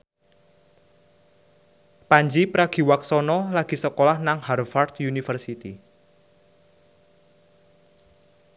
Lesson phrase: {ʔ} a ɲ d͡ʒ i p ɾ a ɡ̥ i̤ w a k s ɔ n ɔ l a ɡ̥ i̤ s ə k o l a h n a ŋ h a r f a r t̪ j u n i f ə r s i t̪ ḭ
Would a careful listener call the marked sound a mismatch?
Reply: yes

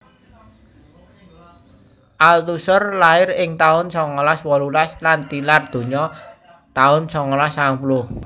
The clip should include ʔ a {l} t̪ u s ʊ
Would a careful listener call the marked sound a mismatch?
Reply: no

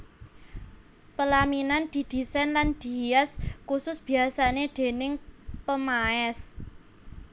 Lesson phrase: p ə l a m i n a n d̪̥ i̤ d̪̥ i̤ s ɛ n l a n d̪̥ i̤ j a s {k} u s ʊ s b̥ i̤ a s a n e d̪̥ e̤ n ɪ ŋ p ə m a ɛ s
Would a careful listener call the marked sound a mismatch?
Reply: no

